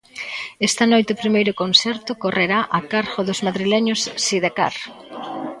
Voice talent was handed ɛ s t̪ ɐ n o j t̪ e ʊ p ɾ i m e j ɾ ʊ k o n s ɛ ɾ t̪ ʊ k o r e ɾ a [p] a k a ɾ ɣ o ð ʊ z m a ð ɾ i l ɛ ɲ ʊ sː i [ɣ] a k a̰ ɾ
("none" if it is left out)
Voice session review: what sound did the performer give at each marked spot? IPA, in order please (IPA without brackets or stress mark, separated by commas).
ʔ, ð